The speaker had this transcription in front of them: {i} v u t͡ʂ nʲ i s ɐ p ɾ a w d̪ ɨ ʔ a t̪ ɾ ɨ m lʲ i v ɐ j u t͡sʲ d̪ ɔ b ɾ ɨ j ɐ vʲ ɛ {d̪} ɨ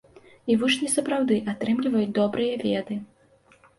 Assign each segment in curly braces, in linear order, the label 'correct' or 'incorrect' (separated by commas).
correct, correct